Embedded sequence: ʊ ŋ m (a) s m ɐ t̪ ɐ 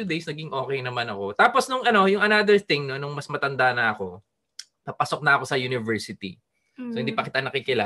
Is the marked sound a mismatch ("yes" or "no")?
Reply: yes